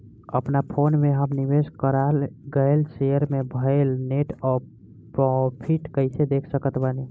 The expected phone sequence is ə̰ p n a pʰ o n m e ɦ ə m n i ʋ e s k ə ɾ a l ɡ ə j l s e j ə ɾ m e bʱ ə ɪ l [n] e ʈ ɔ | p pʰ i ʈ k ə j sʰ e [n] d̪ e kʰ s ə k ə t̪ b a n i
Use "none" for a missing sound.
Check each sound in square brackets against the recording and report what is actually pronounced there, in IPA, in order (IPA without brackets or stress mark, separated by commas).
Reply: n, none